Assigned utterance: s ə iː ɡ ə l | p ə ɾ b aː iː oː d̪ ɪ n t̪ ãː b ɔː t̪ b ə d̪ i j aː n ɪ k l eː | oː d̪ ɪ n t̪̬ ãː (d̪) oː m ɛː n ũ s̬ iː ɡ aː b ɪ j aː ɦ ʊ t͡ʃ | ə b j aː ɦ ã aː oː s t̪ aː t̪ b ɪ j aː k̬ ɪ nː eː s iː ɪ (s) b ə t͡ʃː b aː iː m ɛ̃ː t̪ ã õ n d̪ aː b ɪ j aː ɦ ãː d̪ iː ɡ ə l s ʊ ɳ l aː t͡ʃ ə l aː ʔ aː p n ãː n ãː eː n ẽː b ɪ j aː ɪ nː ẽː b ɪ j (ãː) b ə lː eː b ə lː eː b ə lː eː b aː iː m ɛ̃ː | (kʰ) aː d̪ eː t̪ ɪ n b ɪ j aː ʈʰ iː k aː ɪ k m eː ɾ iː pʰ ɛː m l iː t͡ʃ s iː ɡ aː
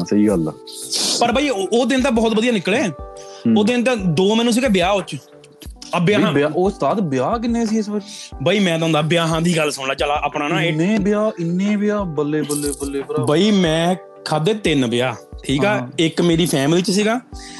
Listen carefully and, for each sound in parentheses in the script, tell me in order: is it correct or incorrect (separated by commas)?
correct, correct, incorrect, correct